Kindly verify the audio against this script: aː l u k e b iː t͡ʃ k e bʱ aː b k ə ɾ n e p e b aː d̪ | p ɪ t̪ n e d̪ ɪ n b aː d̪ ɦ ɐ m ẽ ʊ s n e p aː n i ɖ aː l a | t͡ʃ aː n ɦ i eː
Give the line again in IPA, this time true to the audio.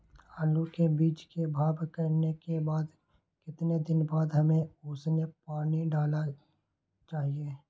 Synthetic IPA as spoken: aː l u k e b iː t͡ʃ k e bʱ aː b k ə ɾ n e k e b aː d̪ | k ɪ t̪ n e d̪ ɪ n b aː d̪ ɦ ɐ m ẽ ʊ s n e p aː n i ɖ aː l a | t͡ʃ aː ɦ i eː